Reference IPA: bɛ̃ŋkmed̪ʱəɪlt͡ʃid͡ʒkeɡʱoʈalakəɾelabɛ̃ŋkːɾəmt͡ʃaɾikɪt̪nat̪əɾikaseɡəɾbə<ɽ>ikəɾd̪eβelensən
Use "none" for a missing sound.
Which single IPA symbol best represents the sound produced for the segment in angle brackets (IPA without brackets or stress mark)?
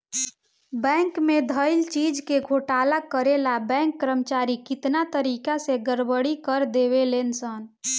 ɽ